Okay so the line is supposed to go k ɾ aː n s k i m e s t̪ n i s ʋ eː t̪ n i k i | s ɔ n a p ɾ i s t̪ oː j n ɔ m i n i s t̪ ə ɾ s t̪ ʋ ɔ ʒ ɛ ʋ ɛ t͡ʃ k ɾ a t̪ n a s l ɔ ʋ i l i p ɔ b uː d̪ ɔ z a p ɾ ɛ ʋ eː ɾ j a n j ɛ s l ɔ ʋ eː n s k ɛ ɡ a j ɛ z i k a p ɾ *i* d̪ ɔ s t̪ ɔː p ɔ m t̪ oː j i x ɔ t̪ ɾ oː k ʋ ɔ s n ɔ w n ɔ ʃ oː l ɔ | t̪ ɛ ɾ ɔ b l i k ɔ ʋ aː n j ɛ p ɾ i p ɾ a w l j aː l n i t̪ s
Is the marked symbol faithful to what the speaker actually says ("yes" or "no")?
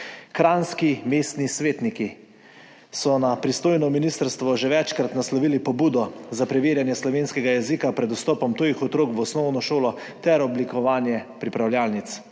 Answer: no